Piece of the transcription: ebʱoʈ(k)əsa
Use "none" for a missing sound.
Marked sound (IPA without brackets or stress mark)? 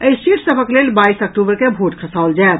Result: kʰ